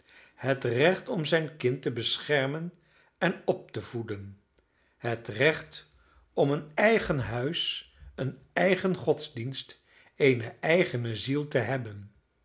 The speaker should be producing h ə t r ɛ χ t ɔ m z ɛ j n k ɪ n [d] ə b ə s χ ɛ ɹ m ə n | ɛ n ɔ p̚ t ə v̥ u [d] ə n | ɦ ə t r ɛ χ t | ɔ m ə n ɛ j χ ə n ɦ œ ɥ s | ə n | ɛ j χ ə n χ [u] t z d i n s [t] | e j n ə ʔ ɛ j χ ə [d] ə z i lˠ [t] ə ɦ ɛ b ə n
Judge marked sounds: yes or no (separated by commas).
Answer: no, yes, no, yes, no, yes